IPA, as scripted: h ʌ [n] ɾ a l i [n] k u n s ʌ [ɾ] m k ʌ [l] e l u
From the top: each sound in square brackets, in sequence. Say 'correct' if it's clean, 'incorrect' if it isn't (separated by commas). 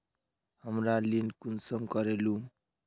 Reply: incorrect, correct, incorrect, incorrect